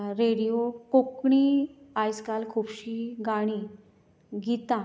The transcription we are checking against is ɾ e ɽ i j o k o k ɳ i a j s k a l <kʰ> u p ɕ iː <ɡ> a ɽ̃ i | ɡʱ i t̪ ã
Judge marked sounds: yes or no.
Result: yes, yes

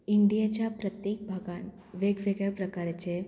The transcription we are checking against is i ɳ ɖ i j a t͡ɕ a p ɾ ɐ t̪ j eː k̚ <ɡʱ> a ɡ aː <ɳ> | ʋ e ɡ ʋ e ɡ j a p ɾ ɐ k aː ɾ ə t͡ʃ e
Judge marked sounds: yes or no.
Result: no, no

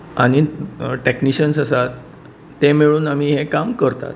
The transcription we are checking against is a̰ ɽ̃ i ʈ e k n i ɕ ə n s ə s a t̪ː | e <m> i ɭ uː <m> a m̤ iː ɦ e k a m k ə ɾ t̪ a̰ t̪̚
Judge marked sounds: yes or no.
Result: yes, no

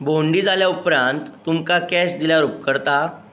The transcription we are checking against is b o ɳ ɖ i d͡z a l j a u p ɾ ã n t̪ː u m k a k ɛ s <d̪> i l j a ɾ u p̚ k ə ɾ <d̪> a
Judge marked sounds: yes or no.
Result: yes, no

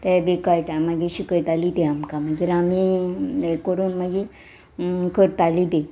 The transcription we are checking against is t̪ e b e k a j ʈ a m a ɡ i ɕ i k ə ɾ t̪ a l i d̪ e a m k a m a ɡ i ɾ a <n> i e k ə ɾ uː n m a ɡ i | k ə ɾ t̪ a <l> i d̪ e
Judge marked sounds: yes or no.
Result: no, yes

